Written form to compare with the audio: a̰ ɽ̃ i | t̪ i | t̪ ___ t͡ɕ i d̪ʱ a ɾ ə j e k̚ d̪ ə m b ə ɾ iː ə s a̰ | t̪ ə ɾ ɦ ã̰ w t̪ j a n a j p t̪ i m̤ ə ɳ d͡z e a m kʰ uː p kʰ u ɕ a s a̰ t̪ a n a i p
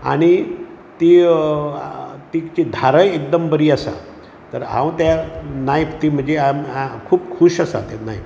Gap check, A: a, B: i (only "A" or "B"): B